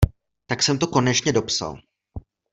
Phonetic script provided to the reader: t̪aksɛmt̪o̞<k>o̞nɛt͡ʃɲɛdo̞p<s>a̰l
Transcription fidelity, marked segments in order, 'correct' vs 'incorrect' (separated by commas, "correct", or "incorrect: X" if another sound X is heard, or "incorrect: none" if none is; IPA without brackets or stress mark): correct, correct